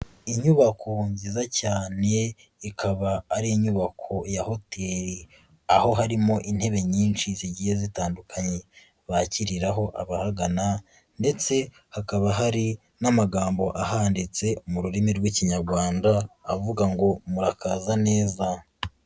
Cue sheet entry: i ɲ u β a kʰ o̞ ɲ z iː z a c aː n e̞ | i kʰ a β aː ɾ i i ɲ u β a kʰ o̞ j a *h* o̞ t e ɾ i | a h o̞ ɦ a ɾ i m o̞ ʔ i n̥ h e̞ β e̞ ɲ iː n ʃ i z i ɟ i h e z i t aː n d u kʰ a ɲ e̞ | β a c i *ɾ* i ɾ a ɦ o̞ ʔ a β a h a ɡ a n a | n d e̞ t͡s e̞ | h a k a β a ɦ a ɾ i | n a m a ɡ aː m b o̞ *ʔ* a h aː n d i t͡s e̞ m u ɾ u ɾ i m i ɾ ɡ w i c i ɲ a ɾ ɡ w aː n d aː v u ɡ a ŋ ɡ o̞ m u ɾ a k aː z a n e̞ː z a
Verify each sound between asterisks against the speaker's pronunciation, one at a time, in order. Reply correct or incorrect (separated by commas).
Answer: correct, correct, correct